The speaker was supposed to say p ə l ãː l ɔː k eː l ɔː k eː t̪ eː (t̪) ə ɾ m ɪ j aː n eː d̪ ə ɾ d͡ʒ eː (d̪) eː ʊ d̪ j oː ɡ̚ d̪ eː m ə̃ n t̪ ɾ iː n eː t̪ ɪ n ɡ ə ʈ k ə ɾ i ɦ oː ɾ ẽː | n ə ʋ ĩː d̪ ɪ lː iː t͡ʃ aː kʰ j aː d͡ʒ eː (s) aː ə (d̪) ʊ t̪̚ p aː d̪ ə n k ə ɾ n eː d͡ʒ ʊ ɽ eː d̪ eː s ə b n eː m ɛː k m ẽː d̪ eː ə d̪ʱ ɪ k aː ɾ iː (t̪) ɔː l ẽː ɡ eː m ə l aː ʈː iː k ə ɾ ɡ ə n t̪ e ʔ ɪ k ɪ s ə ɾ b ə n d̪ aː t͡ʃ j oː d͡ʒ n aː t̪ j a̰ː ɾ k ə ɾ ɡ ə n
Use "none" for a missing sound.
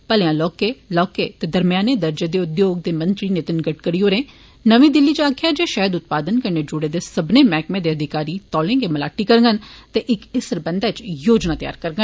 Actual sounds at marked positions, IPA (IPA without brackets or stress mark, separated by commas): d̪, d̪, ʃ, d̪, t̪